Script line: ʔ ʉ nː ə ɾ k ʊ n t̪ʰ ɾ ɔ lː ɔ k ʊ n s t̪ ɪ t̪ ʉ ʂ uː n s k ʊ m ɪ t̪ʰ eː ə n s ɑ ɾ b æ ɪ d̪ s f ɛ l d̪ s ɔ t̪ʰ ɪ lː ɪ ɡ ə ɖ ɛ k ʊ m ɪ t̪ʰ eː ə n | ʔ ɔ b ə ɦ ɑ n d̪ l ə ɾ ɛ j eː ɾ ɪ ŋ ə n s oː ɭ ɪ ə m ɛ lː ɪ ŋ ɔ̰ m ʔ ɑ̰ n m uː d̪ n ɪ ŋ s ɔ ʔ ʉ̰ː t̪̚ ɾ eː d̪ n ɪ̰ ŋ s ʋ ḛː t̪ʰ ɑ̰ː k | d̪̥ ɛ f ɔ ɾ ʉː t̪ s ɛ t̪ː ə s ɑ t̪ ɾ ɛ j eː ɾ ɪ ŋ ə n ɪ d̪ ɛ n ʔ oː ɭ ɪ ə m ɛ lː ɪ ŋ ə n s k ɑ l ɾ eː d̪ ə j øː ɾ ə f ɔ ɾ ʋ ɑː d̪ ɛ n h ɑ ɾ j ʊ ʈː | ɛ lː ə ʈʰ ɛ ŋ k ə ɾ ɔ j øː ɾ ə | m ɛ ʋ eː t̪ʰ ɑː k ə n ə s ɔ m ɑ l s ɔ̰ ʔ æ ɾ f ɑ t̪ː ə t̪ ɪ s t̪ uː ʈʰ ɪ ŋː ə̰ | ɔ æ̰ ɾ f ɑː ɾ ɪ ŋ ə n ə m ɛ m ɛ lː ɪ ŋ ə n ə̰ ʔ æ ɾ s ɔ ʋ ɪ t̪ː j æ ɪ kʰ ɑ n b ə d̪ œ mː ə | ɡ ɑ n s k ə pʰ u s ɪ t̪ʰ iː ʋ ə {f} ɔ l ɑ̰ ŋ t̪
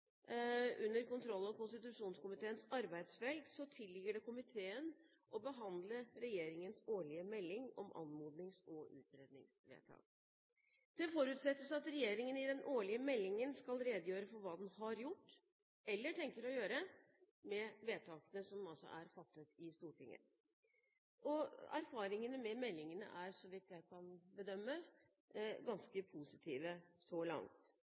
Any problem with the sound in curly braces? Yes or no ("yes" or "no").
yes